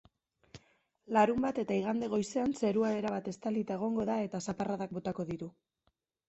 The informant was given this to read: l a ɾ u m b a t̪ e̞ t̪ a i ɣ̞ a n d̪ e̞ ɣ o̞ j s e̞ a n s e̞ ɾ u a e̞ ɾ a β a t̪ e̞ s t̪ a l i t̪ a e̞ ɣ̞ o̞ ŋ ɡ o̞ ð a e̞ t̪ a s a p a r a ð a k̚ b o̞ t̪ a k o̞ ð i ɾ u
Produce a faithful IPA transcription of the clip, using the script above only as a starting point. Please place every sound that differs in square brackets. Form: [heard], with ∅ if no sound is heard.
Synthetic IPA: l a ɾ u m b a t̪ e̞ t̪ a i ɣ̞ a n d̪ e̞ ɣ o̞ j s e̞ a n s e̞ ɾ u a e̞ ɾ a β a t̪ e̞ s t̪ a l i t̪ a e̞ ɣ̞ o̞ ŋ ɡ o̞ ð a e̞ t̪ a s a p a r a ð a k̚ b o̞ t̪ a k o̞ ð i ɾ u